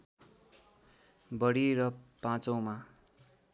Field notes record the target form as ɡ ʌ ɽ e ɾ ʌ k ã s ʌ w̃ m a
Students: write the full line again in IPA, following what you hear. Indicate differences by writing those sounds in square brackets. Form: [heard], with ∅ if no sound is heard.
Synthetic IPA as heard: [b] ʌ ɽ [i] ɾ ʌ [p] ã [t͡s] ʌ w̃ m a